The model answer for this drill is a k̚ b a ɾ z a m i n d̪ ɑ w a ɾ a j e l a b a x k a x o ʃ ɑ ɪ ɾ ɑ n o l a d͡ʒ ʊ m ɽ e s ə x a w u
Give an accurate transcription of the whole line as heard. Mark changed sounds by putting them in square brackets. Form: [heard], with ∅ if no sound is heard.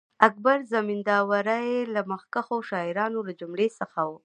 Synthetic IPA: a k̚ b a ɾ z a m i n d̪ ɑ w a ɾ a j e l a [m] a x k a x o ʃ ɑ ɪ ɾ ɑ n o l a d͡ʒ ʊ m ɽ e s ə x a w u